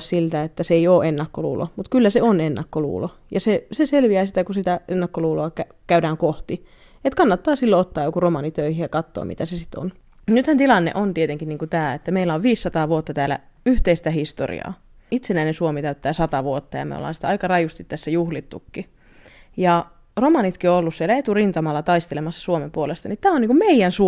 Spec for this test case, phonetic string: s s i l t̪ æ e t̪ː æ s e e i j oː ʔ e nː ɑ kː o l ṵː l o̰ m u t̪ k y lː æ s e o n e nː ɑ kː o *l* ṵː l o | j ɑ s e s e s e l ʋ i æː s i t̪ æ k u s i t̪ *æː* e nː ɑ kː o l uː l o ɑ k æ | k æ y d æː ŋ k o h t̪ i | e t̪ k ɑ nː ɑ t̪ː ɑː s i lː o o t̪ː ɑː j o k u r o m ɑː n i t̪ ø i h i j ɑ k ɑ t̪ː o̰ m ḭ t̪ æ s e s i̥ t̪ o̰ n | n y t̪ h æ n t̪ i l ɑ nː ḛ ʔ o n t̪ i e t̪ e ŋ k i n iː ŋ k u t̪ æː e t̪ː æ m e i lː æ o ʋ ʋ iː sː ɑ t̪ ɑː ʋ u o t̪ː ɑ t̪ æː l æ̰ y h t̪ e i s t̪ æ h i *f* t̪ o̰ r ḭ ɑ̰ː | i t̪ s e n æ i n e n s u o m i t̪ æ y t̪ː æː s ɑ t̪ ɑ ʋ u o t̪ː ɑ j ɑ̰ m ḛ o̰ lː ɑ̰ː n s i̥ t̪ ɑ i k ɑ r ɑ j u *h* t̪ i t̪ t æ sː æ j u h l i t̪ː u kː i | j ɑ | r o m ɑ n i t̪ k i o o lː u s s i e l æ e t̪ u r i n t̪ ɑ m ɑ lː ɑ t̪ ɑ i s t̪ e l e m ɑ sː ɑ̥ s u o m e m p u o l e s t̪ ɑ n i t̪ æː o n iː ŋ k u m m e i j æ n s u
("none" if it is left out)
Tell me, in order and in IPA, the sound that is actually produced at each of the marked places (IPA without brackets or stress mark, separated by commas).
l, æ, s, s